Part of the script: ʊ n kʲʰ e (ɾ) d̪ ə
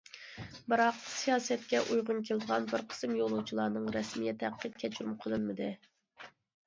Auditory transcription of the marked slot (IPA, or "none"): l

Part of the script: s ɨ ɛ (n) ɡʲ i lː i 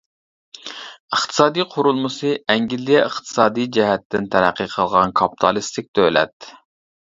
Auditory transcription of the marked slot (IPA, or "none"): ŋ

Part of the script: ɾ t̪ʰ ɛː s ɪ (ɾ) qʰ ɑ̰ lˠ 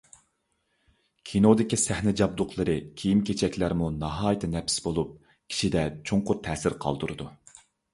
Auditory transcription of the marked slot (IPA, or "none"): ɾ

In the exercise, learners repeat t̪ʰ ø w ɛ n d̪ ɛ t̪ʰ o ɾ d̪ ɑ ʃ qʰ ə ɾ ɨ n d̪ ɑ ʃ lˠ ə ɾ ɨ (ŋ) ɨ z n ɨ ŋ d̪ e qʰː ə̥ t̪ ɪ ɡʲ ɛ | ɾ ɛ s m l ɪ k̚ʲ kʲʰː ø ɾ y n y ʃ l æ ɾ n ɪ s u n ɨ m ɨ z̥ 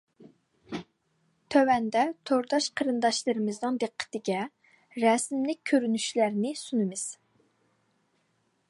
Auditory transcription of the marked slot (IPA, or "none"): m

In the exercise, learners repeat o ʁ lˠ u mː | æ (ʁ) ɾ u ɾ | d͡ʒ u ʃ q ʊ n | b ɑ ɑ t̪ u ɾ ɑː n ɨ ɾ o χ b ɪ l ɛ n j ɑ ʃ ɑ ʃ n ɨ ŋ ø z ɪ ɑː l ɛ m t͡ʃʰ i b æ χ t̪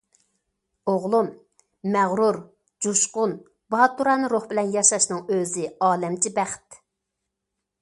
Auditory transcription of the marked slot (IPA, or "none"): ʁ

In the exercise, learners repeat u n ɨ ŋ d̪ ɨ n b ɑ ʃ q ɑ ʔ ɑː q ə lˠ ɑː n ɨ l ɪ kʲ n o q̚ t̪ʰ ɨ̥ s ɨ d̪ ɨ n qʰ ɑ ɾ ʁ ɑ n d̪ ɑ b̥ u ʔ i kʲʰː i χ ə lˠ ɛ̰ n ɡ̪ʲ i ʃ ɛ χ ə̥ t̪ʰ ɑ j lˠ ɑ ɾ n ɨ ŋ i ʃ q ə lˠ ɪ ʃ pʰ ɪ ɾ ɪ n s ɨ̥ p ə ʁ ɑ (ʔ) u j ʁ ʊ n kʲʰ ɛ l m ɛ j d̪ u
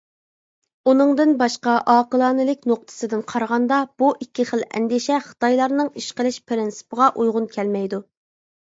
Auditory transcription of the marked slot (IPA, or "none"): ʔ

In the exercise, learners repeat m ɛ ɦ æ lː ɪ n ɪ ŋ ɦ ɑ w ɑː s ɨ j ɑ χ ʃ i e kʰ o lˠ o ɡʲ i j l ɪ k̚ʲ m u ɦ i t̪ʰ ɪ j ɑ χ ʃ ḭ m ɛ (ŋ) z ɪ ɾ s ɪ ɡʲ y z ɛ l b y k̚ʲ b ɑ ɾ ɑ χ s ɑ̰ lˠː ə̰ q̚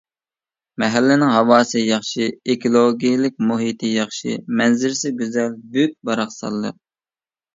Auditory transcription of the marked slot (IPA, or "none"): n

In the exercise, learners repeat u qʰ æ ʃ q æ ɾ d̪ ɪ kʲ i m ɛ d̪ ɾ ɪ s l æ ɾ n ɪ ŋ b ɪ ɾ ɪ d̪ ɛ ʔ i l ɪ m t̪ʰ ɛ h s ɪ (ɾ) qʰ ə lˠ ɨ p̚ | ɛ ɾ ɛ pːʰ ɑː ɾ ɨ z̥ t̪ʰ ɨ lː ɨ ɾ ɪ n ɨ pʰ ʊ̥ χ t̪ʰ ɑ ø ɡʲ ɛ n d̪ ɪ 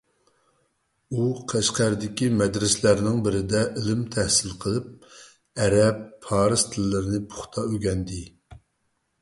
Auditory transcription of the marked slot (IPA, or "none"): l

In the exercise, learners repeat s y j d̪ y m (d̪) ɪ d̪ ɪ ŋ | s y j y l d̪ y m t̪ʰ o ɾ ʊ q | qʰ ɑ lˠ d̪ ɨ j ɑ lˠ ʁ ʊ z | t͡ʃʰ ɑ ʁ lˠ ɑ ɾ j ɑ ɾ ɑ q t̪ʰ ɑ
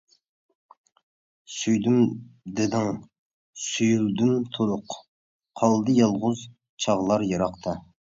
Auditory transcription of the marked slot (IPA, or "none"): d̪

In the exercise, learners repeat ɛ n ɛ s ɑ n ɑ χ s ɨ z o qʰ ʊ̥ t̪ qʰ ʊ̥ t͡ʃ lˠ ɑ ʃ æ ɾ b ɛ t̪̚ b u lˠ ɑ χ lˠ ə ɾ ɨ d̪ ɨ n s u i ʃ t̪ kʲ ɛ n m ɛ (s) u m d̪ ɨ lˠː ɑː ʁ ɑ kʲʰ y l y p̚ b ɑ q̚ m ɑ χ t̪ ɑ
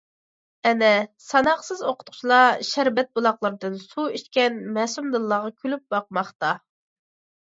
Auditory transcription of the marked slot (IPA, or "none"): s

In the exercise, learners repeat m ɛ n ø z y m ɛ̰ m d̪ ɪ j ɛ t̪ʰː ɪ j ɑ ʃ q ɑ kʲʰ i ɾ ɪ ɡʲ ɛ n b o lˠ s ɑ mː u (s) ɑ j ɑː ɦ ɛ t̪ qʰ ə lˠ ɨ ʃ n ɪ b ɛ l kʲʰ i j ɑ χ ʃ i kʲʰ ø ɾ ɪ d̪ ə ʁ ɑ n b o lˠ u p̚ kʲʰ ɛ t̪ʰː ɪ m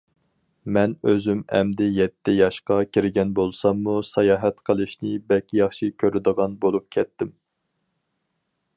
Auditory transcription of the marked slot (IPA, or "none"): s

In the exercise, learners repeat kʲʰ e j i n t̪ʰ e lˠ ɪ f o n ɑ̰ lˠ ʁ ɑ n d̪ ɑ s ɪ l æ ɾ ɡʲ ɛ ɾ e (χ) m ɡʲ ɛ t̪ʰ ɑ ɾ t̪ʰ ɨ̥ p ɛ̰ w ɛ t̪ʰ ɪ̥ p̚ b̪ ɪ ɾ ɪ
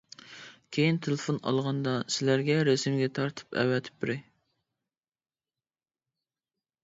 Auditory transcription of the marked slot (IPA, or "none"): s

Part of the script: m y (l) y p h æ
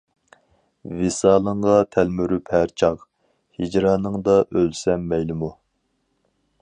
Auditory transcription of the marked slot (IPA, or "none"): ɾ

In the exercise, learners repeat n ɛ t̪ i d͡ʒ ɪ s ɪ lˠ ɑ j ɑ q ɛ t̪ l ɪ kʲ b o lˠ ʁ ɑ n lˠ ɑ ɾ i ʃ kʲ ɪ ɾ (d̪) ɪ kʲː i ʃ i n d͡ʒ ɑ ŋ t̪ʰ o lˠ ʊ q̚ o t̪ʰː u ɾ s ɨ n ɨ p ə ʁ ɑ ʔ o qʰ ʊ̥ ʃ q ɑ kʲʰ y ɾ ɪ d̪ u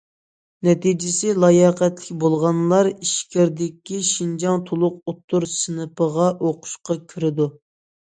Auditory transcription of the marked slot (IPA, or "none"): d̪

